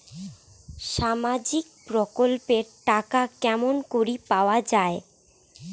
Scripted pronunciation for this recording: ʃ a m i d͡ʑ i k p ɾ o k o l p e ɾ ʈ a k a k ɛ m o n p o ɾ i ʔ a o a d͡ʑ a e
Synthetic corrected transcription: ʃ a m a d͡ʑ i k p ɾ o k o l p e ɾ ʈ a k a k ɛ m o n k o ɾ i p a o a d͡ʑ a e